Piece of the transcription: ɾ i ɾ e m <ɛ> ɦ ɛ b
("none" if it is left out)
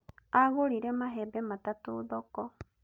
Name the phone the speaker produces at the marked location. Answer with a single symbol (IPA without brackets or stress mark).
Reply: a